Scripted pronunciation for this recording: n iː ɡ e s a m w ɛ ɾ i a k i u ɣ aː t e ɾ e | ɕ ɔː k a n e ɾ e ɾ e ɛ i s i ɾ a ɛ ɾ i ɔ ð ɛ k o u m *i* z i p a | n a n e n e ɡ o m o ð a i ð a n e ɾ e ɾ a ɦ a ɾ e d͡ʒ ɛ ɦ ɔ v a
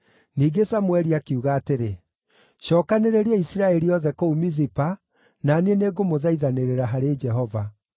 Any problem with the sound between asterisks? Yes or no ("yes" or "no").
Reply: no